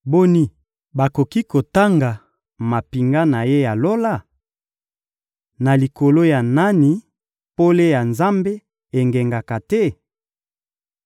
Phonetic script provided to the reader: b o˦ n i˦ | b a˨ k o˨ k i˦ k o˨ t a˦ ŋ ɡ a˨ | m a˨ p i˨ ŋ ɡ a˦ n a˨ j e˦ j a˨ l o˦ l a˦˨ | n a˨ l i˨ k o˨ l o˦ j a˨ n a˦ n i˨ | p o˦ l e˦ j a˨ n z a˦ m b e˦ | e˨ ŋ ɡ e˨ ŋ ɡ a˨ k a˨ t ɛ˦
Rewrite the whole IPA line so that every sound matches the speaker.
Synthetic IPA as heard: b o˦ n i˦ | b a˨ k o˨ k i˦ k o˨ t a˦ ŋ ɡ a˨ | m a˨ p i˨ ŋ ɡ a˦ n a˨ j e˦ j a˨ l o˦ l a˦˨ | n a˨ l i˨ k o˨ l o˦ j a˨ n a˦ n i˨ | p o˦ l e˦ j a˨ n z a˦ m b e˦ | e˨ ŋ ɡ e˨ ŋ ɡ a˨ k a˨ t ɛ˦